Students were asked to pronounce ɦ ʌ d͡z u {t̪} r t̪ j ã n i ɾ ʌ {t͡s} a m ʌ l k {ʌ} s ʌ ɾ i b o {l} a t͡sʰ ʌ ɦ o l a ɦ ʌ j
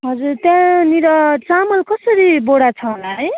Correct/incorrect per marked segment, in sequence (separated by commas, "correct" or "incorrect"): incorrect, correct, correct, incorrect